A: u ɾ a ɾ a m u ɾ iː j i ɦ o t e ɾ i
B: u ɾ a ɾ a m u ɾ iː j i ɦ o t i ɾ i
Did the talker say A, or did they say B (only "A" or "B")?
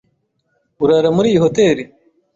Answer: A